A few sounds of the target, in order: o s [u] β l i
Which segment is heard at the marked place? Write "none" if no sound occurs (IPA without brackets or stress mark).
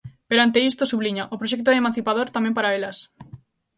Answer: u